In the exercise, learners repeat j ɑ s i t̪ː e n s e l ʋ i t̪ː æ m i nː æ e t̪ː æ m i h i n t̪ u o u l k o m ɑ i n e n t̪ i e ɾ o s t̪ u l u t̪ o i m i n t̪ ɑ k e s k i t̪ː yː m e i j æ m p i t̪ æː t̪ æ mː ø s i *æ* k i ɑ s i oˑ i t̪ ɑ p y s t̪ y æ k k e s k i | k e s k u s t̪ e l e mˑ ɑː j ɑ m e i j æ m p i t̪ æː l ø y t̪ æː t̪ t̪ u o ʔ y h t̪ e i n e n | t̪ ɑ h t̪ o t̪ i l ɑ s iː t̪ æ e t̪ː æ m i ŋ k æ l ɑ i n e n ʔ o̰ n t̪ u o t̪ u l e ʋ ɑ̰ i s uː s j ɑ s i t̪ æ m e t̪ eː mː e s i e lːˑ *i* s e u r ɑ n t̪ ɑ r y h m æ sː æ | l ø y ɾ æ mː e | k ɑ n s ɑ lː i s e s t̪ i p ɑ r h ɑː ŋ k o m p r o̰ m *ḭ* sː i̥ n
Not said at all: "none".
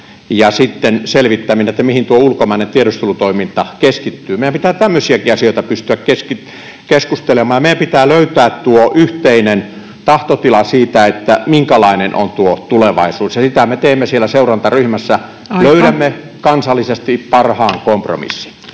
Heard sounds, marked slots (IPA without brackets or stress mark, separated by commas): æ, æ, ḭ